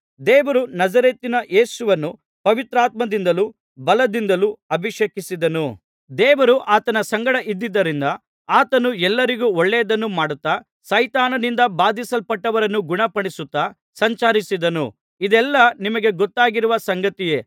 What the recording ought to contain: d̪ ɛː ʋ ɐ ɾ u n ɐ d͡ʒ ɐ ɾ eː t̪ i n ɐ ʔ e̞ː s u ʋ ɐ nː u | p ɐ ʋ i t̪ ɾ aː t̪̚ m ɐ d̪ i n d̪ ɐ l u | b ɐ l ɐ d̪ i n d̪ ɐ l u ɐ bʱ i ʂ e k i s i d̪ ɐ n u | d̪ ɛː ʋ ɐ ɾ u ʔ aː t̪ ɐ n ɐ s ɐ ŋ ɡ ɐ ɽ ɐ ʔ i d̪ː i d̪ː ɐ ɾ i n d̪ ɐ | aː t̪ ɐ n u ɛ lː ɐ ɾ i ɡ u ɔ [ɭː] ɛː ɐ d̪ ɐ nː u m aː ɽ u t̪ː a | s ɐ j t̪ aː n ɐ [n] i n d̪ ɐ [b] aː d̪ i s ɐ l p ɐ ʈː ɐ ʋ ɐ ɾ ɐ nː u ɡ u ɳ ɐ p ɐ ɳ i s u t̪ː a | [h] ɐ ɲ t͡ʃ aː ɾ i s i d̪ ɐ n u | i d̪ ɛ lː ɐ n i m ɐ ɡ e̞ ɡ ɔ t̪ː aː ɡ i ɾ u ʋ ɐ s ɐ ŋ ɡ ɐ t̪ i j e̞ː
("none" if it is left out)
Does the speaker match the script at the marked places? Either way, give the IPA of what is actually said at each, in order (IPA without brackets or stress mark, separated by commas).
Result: ɭː, n, b, s